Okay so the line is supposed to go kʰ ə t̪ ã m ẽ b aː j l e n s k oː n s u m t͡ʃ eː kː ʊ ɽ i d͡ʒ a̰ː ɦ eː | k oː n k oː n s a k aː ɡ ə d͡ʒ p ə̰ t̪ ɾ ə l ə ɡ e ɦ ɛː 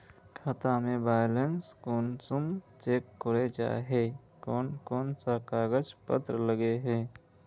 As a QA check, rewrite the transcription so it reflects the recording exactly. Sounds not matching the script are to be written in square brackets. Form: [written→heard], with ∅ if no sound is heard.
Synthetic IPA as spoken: kʰ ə t̪ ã m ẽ b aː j l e n s k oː n s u m t͡ʃ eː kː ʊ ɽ [i→e] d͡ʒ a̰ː ɦ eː | k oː n k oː n s a k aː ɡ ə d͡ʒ p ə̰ t̪ ɾ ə l ə ɡ e ɦ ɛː